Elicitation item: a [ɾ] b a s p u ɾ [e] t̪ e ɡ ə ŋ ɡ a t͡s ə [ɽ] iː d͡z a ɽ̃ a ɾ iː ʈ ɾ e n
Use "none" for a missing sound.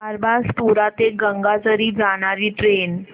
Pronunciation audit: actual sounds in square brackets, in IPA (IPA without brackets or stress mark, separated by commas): ɾ, a, ɾ